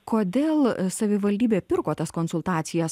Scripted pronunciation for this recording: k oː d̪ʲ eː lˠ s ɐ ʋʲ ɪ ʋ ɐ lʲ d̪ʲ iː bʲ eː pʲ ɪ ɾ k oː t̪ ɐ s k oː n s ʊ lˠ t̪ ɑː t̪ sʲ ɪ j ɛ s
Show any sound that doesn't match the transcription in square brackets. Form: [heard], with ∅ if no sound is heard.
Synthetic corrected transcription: k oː d̪ʲ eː lˠ s ɐ ʋʲ ɪ ʋ ɐ lʲ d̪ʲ iː bʲ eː pʲ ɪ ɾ k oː t̪ ɐ s k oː n s ʊ lˠ t̪ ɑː t̪ sʲ ɪ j ɛ s